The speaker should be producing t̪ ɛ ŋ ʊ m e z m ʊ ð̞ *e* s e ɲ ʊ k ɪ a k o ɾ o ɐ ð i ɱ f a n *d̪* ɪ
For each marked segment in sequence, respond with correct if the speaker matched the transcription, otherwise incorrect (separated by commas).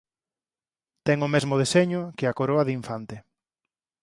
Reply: correct, incorrect